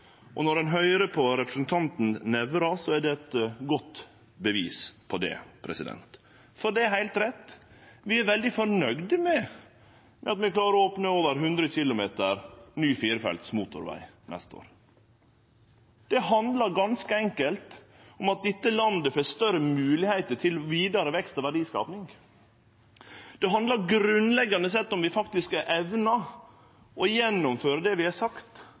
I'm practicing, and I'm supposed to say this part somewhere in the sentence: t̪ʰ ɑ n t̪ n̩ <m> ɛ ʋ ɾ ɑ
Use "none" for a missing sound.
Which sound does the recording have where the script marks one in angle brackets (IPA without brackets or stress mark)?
n